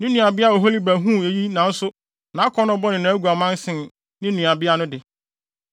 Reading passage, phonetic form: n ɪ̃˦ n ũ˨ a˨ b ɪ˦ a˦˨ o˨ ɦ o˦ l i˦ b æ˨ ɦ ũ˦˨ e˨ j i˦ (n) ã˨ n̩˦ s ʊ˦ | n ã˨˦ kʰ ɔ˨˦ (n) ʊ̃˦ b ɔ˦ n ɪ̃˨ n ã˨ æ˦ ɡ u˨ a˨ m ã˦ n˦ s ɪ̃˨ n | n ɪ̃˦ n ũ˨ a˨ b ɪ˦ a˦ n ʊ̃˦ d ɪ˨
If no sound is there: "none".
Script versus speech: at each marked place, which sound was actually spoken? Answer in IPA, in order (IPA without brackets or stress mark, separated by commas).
n, n